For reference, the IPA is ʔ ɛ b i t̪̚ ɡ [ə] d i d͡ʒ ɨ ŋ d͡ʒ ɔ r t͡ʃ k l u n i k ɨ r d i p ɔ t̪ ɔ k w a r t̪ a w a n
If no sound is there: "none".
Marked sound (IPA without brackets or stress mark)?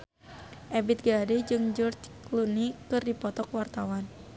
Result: a